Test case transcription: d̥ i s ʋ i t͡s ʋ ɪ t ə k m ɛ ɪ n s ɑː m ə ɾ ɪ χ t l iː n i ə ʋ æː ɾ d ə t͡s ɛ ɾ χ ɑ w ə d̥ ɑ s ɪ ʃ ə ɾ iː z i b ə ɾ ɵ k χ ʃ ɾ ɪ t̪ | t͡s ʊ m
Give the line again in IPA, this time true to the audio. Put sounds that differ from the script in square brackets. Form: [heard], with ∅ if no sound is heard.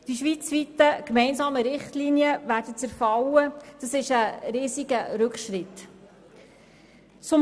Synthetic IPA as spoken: d̥ i [ʃ] ʋ i t͡s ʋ [i] t ə k m ɛ ɪ n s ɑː m ə ɾ ɪ χ t l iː n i ə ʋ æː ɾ d ə t͡s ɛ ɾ [f] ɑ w ə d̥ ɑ s ɪ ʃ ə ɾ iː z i [ɡ] ə ɾ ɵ k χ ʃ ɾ ɪ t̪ | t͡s ʊ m